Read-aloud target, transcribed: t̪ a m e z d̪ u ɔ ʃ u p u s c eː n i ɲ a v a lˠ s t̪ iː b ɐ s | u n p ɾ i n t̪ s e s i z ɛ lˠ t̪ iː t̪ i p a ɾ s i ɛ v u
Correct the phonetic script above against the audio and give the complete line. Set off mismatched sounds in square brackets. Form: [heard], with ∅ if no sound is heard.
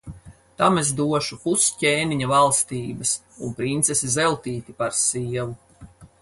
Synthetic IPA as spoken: t̪ a m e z d̪ u ɔ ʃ u p u s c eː n i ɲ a v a lˠ s t̪ iː b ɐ s | u n p ɾ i n t̪ s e s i z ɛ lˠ t̪ iː t̪ i p a ɾ s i ɛ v u